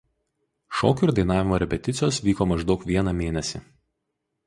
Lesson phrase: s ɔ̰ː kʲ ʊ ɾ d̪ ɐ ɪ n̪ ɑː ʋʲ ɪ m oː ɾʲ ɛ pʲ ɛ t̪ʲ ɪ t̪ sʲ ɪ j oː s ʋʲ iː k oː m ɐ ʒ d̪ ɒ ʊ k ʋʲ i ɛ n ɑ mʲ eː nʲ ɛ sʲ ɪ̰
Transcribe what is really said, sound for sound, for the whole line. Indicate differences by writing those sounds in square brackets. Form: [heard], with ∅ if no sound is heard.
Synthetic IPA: [ʃ] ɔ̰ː kʲ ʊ ɾ d̪ ɐ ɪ n̪ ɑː ʋʲ ɪ m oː ɾʲ ɛ pʲ ɛ t̪ʲ ɪ t̪ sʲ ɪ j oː s ʋʲ iː k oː m ɐ ʒ d̪ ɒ ʊ k ʋʲ i ɛ n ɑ mʲ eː nʲ ɛ sʲ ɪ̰